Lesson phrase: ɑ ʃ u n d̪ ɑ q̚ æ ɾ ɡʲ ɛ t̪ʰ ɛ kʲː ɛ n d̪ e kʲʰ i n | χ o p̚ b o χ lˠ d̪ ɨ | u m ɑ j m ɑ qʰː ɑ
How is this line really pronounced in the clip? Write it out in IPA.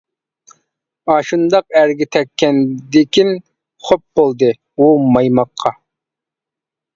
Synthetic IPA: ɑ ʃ u n d̪ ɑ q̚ æ ɾ ɡʲ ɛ t̪ʰ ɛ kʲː ɛ n d̪ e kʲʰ i n | χ o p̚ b o lˠ d̪ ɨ | u m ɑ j m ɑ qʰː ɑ